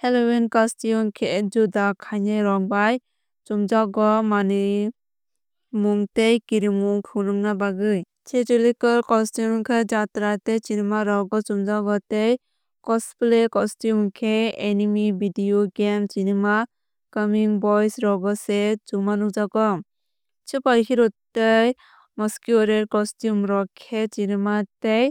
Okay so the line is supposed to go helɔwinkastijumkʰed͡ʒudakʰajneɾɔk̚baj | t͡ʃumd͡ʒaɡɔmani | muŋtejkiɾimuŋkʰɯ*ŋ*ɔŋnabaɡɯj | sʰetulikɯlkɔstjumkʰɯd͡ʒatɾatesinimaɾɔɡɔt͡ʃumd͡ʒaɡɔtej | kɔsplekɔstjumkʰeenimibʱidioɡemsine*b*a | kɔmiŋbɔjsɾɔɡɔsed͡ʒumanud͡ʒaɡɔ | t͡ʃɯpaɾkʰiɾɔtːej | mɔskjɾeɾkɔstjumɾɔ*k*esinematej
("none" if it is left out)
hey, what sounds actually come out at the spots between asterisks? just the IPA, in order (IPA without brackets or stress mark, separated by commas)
n, m, kʰ